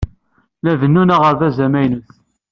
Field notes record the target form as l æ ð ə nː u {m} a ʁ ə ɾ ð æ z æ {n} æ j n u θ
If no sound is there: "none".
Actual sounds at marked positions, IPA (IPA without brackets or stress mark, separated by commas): n, m